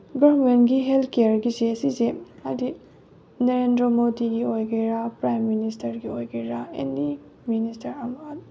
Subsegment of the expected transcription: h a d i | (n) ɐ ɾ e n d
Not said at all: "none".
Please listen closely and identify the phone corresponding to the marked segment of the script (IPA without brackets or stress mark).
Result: n